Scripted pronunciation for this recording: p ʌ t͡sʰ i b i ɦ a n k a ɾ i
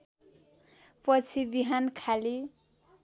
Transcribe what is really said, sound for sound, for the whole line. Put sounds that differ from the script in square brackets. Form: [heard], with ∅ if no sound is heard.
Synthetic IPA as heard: p ʌ t͡sʰ i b i ɦ a n [kʰ] a [l] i